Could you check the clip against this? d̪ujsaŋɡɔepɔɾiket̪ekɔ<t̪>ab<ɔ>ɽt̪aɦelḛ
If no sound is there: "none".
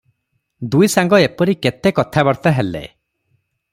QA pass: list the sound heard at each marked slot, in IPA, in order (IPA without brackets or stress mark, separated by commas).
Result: t̪ʰ, ɔ